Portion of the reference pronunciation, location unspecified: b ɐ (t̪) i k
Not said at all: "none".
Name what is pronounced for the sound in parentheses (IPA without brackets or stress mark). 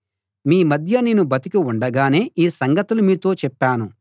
t̪